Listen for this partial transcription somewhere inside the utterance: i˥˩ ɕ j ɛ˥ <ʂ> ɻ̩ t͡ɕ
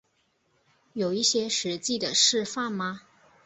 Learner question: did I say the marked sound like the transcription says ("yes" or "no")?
yes